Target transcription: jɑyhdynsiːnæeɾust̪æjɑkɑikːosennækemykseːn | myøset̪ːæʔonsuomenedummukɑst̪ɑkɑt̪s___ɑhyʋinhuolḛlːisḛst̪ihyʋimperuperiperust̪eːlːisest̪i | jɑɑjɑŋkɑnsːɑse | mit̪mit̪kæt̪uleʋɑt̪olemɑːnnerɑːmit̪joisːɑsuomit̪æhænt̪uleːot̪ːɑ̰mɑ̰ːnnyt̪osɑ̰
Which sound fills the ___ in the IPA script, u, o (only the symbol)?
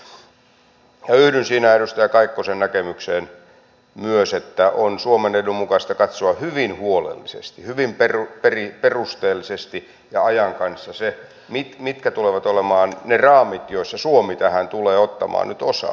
o